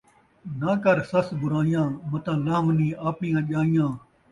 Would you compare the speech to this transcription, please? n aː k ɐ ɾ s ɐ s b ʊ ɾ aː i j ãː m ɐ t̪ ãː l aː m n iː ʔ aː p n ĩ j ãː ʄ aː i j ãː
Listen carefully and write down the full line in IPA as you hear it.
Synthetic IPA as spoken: n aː k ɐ ɾ s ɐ s b ʊ ɾ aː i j ãː m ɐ t̪ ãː l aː m n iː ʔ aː p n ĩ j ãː ʄ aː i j ãː